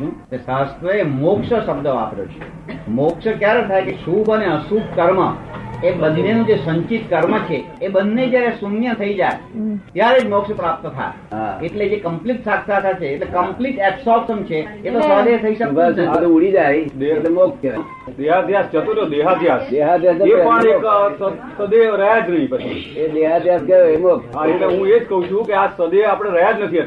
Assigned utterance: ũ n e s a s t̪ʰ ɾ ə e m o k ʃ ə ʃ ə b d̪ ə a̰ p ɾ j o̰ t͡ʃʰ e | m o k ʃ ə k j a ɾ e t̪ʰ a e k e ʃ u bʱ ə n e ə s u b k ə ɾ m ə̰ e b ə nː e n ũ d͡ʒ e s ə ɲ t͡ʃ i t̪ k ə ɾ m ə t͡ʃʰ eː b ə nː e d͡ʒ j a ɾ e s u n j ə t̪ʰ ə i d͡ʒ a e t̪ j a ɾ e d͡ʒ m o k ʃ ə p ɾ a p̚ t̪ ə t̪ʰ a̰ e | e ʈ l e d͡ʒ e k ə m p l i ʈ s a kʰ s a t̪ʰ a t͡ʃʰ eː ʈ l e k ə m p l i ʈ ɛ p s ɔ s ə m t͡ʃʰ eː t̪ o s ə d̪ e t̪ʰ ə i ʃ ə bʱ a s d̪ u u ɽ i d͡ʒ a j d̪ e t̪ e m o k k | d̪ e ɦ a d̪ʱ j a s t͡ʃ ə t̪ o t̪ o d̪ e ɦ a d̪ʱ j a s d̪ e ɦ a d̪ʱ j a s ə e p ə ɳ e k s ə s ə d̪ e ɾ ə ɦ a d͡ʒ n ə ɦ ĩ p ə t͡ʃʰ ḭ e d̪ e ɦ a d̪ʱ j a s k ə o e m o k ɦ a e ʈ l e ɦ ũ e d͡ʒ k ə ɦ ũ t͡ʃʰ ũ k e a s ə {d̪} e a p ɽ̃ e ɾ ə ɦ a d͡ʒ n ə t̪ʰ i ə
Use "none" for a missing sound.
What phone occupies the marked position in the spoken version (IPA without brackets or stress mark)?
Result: d̪